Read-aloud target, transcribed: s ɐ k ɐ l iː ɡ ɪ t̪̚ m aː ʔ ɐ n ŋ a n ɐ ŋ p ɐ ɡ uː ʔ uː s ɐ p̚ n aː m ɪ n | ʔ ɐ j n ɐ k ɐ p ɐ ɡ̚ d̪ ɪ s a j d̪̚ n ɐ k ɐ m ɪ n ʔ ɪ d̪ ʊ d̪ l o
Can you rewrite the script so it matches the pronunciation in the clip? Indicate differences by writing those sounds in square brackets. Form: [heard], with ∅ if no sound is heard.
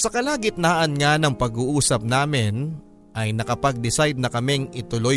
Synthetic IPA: s ɐ k ɐ l [aː] ɡ ɪ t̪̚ [n] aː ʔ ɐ n ŋ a n ɐ ŋ p ɐ ɡ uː ʔ uː s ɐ p̚ n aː m ɪ n | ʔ ɐ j n ɐ k ɐ p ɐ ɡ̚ d̪ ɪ s a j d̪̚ n ɐ k ɐ m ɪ [ŋ] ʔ ɪ [t̪] ʊ [∅] l o